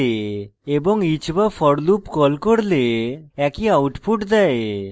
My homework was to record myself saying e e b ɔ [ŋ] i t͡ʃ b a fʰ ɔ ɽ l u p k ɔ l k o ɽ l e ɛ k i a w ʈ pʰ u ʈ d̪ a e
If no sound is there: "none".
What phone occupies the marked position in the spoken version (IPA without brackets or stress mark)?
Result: ŋ